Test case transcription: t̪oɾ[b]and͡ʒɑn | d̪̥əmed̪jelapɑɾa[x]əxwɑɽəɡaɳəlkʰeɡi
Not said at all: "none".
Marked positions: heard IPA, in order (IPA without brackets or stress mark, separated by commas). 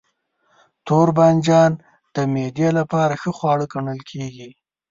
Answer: b, x